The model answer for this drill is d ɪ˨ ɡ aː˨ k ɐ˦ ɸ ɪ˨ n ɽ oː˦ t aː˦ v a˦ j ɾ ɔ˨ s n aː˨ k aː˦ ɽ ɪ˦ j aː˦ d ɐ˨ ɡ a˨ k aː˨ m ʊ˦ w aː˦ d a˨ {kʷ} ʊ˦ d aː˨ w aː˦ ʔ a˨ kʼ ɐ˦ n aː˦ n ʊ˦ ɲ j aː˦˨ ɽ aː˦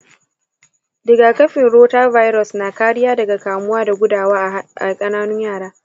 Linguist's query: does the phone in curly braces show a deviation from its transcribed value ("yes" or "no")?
yes